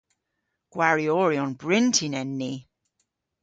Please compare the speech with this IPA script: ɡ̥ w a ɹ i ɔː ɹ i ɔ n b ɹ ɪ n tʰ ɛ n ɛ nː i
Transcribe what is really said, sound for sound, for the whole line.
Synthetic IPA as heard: ɡ̥ w a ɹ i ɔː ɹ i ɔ n b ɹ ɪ n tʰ i n ɛ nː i